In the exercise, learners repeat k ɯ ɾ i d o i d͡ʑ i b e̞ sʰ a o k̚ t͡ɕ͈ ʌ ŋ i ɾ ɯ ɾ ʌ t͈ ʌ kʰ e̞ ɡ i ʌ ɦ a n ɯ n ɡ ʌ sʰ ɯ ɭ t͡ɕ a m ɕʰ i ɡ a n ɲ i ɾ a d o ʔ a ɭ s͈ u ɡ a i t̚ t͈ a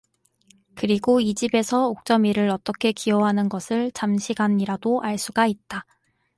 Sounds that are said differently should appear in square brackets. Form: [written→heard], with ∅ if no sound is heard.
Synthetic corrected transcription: k ɯ ɾ i [d→ɡ] o i d͡ʑ i b e̞ sʰ [a→ʌ] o k̚ t͡ɕ͈ ʌ [ŋ→m] i ɾ ɯ ɾ ʌ t͈ ʌ kʰ e̞ [ɡ→k] i ʌ ɦ a n ɯ n ɡ ʌ sʰ ɯ ɭ t͡ɕ a m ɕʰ i ɡ a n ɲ i ɾ a d o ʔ a ɭ s͈ u ɡ a i t̚ t͈ a